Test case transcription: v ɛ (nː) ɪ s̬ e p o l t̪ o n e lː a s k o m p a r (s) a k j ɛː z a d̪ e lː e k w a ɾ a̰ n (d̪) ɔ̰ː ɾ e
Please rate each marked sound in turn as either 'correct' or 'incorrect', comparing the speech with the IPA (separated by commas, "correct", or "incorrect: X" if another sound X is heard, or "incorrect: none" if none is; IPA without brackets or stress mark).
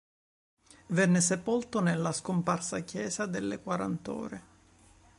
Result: correct, correct, incorrect: t̪